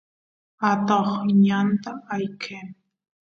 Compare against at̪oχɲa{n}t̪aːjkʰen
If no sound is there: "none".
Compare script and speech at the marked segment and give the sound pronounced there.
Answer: n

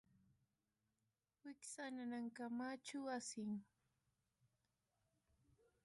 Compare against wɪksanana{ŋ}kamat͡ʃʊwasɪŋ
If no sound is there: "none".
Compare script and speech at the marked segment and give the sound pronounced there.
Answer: ŋ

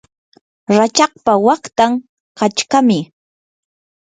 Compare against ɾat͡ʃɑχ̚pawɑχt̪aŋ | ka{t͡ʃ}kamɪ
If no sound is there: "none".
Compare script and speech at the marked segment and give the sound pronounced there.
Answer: t͡ʃ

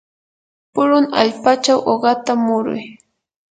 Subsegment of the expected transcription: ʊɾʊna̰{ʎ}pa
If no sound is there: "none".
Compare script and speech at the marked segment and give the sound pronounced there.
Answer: ʎ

